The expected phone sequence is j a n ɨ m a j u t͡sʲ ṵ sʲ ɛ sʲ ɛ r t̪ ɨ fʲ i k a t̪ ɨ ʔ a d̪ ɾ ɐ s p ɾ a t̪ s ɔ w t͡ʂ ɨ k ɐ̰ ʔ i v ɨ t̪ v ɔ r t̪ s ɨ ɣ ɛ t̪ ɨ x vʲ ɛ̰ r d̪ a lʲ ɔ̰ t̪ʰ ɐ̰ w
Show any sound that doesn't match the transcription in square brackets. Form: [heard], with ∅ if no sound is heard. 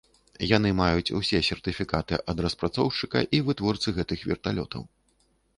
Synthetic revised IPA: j a n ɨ m a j u t͡sʲ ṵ sʲ ɛ sʲ ɛ r t̪ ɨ fʲ i k a t̪ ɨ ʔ [ɐ] d̪ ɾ ɐ s p ɾ a t̪ s ɔ w t͡ʂ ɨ k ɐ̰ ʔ i v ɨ t̪ v ɔ r t̪ s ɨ ɣ ɛ t̪ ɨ x vʲ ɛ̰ r [t̪] a lʲ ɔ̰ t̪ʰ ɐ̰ w